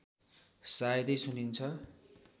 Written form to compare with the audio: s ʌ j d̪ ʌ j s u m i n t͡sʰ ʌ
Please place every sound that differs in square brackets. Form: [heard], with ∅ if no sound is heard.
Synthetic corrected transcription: s [a] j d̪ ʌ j s u [n] i n t͡sʰ ʌ